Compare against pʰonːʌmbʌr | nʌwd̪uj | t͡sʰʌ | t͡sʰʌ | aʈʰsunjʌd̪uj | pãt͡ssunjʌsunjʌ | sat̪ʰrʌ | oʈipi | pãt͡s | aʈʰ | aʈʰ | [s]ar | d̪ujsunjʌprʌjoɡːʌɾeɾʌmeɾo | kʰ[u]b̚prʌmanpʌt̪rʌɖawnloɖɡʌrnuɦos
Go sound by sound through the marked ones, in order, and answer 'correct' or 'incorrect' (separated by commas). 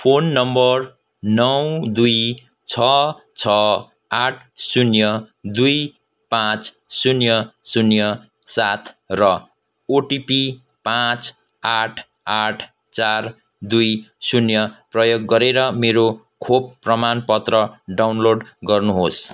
incorrect, incorrect